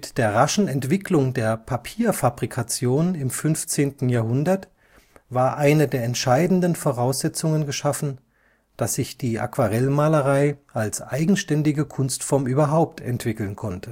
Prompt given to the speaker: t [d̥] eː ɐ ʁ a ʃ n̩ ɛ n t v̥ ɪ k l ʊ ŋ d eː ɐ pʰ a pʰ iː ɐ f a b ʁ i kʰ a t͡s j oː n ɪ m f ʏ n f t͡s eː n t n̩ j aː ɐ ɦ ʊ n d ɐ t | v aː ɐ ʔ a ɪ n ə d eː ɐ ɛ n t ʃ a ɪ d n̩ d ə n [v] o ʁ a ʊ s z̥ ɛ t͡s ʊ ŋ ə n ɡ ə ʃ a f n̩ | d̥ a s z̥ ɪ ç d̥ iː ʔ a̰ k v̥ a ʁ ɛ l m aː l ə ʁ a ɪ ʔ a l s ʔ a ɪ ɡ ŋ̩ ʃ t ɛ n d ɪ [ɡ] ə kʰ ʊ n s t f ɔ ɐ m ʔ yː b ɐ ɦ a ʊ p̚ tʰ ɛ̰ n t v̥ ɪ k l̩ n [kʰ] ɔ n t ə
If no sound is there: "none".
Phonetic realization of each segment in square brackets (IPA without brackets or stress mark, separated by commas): d̥, f, ɡ, kʰ